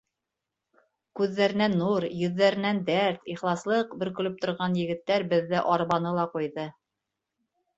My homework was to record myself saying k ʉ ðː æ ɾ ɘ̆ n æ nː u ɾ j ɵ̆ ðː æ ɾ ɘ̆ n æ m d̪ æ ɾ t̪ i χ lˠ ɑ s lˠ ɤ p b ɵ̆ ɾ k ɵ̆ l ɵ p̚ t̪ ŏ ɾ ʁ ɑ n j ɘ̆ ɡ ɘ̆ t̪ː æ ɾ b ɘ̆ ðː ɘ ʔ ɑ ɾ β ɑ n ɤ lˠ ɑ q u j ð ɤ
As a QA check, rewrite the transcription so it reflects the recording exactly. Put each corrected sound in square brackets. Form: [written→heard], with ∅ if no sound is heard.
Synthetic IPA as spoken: k ʉ ðː æ ɾ ɘ̆ n æ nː u ɾ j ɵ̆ ðː æ ɾ ɘ̆ n æ [m→n] d̪ æ ɾ t̪ i χ lˠ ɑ s lˠ ɤ [p→q] b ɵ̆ ɾ k ɵ̆ l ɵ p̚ t̪ ŏ ɾ ʁ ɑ n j ɘ̆ ɡ ɘ̆ t̪ː æ ɾ b ɘ̆ ðː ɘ ʔ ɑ ɾ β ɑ n ɤ lˠ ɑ q u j ð ɤ